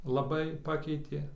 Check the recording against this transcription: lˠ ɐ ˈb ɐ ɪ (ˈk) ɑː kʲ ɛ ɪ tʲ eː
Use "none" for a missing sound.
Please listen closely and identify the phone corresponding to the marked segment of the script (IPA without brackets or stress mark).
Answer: p